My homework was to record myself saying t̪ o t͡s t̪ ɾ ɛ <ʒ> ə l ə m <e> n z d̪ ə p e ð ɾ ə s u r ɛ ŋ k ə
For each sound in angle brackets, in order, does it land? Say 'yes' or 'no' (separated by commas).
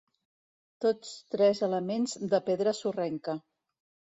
no, yes